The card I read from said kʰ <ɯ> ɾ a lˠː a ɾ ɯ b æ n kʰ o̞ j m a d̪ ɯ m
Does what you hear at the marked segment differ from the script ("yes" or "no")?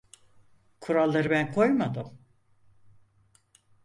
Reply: yes